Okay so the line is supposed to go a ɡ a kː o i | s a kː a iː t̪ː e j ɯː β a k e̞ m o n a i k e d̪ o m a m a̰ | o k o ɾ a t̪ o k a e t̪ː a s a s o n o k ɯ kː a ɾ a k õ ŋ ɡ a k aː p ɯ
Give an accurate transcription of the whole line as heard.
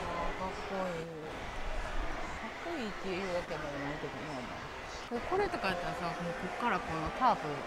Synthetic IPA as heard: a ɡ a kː o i | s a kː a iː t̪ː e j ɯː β a k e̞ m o n a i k e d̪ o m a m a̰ | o k o ɾ e t̪ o k a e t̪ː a s a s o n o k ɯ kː a ɾ a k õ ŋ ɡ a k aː p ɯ